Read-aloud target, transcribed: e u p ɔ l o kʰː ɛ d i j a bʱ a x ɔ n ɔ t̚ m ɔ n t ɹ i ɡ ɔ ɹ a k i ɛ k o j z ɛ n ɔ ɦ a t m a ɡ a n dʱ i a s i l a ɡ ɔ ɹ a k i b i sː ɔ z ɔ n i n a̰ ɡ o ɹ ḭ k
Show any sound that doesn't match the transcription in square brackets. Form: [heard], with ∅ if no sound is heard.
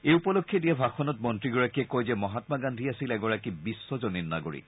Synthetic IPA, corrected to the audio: e u p ɔ l o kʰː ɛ d i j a bʱ a x ɔ n ɔ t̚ m ɔ n t ɹ i ɡ ɔ ɹ a k i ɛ k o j z ɛ [m] ɔ ɦ a t m a ɡ a n dʱ i a s i l [ɛ] ɡ ɔ ɹ a k i b i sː ɔ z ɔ n i n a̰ ɡ o ɹ ḭ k